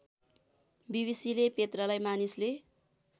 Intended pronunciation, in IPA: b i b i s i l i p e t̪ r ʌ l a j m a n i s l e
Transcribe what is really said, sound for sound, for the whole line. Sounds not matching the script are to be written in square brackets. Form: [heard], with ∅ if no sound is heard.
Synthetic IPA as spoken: b i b i s i l [e] p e t̪ r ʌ l a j m a n i s l e